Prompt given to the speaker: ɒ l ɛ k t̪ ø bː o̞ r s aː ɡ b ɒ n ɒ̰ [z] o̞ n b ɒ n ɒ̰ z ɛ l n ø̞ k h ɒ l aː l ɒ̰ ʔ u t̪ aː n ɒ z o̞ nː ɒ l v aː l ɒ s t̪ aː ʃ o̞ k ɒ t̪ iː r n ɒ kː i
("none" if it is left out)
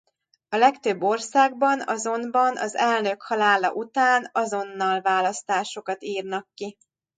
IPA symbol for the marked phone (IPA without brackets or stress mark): z